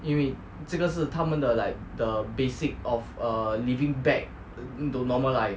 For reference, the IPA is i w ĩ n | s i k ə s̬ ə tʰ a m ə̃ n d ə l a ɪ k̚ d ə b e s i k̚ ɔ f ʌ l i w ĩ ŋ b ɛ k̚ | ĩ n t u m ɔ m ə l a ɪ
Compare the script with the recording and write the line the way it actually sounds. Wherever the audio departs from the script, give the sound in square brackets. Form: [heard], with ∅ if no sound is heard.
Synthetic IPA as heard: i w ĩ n | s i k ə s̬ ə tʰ a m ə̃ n d ə l a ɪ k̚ d ə b e s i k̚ ɔ f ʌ l i [v] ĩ ŋ b ɛ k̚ | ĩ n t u [n] ɔ m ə l a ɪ

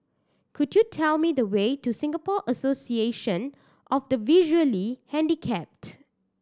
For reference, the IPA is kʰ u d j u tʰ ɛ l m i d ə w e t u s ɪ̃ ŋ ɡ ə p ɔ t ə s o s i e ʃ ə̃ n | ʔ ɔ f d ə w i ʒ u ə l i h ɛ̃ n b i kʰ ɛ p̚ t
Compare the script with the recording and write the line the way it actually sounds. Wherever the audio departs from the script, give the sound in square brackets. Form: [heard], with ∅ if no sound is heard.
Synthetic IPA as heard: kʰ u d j u tʰ ɛ l m i d ə w e t u s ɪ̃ ŋ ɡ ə p ɔ [ʔ] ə s o s i e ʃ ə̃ n | ʔ ɔ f d ə [v] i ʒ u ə l i h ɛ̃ n [d] i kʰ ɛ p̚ t

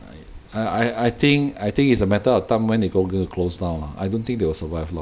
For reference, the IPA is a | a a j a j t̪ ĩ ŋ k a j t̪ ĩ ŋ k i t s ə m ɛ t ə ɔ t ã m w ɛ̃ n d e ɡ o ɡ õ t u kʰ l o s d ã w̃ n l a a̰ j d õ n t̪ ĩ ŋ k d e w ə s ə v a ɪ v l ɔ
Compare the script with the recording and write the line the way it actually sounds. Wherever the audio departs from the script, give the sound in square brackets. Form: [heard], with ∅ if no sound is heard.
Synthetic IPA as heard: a | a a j a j t̪ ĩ ŋ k a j t̪ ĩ ŋ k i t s ə m ɛ t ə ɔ t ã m w ɛ̃ n d e ɡ o ɡ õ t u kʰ l o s d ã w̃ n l a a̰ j d õ n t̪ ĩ ŋ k d e w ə s ə v a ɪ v l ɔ

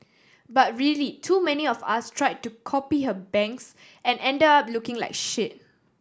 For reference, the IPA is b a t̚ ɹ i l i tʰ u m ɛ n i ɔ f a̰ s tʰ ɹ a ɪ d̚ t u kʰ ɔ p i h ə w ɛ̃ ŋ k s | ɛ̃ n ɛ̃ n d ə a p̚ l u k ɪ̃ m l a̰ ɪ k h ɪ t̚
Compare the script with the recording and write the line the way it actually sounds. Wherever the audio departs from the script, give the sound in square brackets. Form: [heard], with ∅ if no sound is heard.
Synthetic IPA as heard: b a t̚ ɹ i l i tʰ u m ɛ n i ɔ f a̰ s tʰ ɹ a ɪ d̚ t u kʰ ɔ p i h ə [b] ɛ̃ ŋ k s | ɛ̃ n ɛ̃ n d ə a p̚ l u k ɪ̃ [ŋ] l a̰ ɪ k [ʃ] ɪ t̚

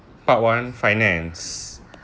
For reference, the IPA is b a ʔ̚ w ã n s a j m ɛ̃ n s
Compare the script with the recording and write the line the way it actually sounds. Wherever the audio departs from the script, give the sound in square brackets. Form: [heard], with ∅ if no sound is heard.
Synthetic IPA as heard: [p] a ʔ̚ w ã n [f] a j [n] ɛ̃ n s

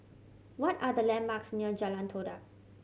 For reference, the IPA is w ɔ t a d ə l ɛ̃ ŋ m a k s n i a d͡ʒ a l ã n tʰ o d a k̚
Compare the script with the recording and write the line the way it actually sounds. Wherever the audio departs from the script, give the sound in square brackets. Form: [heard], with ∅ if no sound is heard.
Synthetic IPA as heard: w ɔ t a d ə l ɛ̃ [n] m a k s n i [ə] d͡ʒ a l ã n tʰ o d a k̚

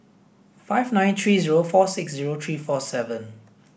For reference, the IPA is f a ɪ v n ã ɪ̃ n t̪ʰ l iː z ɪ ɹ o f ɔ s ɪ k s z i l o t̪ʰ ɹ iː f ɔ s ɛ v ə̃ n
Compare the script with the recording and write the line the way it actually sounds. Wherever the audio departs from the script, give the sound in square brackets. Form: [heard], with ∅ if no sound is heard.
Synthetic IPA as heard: f a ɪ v n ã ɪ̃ n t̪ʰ [ɹ] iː z [i] ɹ o f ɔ s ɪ k s z i [ɹ] o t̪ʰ ɹ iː f ɔ s ɛ v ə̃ n

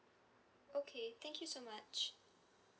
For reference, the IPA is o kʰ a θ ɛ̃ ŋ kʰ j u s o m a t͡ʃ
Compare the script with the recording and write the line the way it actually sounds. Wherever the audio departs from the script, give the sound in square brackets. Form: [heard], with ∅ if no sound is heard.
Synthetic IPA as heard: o kʰ [e] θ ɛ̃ ŋ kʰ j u s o m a t͡ʃ

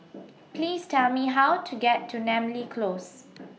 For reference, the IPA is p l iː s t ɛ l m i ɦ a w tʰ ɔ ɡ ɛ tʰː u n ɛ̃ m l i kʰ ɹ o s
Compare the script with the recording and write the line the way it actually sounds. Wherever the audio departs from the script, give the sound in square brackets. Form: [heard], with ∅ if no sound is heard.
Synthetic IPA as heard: p l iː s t ɛ l m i ɦ a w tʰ [u] ɡ ɛ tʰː u n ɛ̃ m l i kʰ [l] o s

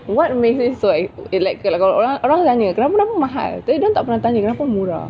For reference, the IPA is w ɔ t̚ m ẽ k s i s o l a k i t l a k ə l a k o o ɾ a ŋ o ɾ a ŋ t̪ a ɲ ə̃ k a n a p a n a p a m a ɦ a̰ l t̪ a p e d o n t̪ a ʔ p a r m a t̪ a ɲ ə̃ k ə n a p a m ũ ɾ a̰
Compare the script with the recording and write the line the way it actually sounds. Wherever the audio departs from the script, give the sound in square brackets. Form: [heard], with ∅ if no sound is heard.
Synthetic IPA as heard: w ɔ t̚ m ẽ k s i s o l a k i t l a k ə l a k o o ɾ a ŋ o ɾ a ŋ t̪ a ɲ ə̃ k [ə] n a p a n a p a m a ɦ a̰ l t̪ a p [i] d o n t̪ a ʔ p [ə] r [n] a t̪ a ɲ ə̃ k ə n a p a m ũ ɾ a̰

